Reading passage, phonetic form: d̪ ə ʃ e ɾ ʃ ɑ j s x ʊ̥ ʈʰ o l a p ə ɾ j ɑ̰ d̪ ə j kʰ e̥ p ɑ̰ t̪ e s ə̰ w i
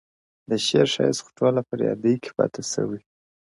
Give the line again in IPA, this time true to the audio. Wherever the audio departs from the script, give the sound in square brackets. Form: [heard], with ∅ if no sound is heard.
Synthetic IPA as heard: d̪ ə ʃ e ɾ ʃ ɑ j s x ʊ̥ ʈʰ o l a p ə ɾ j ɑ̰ d̪ ə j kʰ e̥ p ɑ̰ t̪ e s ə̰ w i